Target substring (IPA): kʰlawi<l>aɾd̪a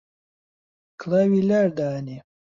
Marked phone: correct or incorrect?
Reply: correct